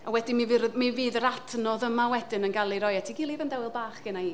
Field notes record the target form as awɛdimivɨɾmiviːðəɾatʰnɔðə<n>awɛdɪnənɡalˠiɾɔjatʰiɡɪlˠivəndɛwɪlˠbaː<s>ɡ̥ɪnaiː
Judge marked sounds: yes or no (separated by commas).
no, no